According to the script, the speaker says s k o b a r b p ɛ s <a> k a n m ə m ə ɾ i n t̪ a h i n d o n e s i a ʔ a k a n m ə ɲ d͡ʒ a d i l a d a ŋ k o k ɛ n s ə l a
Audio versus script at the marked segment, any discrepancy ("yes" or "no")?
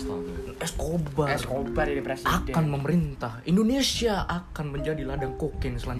no